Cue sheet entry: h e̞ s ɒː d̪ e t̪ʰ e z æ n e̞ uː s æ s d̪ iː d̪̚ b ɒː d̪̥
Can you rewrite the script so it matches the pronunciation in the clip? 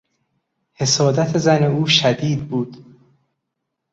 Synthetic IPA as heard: h e̞ s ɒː d̪ æ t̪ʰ e z æ n e̞ uː ʃ æ d̪ iː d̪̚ b uː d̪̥